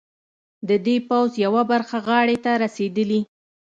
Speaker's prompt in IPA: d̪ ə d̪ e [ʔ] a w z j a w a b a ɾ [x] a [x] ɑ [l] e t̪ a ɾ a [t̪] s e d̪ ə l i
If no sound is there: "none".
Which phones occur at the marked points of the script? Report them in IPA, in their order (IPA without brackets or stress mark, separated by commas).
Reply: p, x, ɣ, ɽ, none